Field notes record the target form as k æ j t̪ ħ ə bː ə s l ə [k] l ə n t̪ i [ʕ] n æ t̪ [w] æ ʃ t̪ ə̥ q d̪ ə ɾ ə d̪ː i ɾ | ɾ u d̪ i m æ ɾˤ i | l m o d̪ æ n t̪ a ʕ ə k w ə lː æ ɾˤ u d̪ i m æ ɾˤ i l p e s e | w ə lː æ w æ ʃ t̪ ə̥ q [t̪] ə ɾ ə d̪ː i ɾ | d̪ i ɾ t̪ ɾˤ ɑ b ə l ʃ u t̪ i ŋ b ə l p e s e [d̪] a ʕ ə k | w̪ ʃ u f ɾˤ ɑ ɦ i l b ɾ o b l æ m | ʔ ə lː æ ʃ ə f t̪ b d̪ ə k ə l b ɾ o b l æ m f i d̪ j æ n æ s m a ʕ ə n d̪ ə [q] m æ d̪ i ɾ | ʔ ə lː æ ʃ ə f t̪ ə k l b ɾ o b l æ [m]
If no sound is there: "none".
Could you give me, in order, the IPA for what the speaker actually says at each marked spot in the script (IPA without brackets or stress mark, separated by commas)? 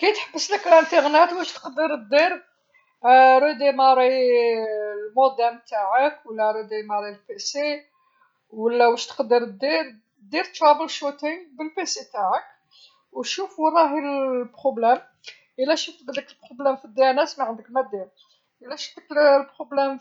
k, ɣ, w, d̪, t̪, k, m